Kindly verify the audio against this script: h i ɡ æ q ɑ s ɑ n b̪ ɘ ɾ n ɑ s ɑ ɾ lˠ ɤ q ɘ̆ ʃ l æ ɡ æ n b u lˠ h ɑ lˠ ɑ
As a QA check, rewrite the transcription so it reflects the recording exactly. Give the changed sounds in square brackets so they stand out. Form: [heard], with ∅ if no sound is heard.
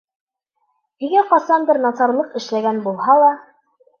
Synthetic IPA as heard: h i ɡ æ q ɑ s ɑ n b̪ ɘ ɾ n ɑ s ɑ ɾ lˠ ɤ q ɘ̆ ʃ l æ ɡ æ n b u lˠ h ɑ lˠ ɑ